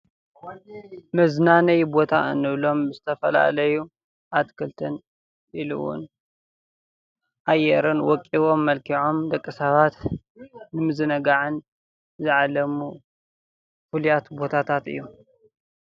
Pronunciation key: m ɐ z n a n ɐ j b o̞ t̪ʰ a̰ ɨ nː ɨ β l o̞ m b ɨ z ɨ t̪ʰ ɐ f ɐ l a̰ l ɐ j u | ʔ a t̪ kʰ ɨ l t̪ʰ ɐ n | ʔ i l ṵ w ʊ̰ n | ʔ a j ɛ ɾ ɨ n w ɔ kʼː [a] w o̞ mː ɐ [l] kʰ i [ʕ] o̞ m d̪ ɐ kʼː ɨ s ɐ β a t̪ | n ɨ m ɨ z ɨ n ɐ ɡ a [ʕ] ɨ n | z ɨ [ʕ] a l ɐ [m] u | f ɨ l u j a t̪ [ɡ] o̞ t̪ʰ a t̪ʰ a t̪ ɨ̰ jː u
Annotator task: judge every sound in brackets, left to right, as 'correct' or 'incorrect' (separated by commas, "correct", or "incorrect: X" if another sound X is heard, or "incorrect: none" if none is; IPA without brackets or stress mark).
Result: incorrect: i, correct, correct, correct, correct, correct, incorrect: b